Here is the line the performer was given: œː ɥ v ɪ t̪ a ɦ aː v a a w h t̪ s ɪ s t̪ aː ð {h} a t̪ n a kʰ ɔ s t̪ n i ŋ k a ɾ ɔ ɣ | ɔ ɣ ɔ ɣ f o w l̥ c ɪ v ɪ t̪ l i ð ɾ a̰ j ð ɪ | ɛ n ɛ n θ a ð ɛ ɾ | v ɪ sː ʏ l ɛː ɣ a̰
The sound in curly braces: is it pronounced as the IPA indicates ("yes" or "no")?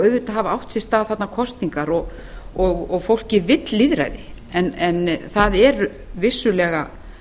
no